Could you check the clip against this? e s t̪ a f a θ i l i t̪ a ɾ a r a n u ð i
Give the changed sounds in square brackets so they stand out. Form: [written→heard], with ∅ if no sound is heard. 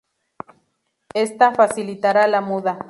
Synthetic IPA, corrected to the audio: e s t̪ a f a [θ→s] i l i t̪ a ɾ a [r→l] a [n→m] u ð [i→a]